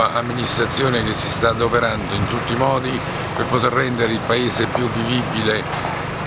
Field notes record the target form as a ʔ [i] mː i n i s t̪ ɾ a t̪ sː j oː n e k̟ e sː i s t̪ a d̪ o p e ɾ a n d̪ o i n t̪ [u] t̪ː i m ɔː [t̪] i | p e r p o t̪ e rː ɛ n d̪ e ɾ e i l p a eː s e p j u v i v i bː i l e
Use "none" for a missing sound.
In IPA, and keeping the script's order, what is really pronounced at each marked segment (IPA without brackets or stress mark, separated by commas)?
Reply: a, u, d̪